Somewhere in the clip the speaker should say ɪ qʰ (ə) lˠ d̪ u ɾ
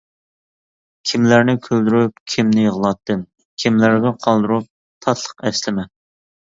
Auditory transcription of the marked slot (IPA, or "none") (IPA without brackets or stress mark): ɑ